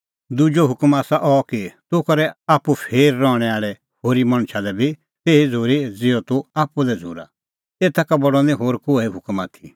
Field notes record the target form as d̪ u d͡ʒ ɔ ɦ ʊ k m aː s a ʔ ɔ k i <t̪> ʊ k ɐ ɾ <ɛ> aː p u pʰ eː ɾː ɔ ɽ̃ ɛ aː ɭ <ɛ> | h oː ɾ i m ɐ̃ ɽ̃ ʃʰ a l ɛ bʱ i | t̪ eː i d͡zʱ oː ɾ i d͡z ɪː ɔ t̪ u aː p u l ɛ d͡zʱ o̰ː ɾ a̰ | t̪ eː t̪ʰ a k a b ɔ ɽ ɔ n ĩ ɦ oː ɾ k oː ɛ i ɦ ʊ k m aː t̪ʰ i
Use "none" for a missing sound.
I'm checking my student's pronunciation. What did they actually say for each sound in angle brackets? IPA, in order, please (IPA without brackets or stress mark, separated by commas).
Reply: t̪, ɛ, ɛ